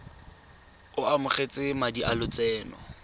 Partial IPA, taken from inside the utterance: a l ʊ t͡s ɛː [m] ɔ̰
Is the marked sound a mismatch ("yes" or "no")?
yes